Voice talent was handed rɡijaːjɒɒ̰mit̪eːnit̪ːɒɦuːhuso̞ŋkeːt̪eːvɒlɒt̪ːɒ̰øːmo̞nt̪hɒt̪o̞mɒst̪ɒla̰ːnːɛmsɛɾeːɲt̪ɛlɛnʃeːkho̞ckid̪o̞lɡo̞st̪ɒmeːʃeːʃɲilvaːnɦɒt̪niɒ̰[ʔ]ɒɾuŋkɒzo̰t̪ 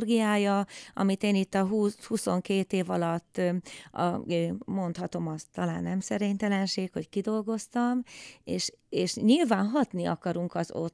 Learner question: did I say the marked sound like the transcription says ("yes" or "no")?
no